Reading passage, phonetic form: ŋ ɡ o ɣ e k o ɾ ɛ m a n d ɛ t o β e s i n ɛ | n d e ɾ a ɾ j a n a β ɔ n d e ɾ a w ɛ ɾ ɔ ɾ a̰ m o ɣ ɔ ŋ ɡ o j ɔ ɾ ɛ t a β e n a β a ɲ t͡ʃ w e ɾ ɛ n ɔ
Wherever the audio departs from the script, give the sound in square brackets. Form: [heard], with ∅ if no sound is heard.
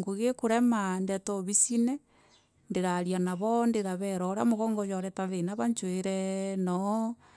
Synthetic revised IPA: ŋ ɡ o ɣ e k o ɾ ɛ m a n d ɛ t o β [i] s i n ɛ | n d e ɾ a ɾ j a n a β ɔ n d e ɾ a [β] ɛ ɾ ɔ ɾ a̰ m o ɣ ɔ ŋ ɡ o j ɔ ɾ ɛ t a β e n a β a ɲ t͡ʃ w e ɾ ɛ n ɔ